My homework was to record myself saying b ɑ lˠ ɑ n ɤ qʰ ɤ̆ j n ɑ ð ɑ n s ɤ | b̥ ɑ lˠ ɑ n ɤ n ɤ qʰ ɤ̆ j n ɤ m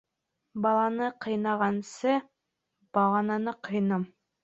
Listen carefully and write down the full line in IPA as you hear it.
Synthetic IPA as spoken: b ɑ lˠ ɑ n ɤ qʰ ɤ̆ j n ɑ ʁ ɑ n s ɤ | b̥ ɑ lˠ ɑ n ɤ n ɤ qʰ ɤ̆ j n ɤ m